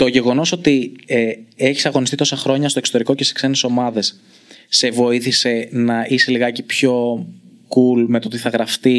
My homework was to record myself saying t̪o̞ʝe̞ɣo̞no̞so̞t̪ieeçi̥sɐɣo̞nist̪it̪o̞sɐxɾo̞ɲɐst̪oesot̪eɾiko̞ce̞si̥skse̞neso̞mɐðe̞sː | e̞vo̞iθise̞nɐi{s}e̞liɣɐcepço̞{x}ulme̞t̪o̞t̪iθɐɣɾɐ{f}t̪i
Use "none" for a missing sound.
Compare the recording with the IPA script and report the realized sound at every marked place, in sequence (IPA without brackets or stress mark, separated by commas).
s, k, f